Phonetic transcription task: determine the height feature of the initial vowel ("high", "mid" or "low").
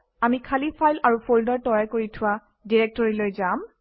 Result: low